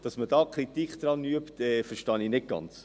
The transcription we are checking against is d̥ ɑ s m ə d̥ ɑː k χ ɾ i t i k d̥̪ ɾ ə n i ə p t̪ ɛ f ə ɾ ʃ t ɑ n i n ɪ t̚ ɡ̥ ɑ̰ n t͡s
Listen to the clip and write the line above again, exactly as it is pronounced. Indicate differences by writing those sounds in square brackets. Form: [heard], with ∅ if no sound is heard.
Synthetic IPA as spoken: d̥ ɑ s m ə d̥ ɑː k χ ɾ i t i k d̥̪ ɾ [ɑ] n [y] ə p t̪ ɛ f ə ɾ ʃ t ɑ n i n ɪ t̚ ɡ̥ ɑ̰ n t͡s